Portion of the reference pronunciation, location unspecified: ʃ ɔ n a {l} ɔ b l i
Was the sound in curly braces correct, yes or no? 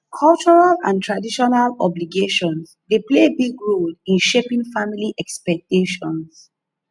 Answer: yes